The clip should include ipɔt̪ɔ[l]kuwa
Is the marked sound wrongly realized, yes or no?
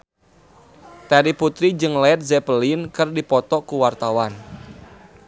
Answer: yes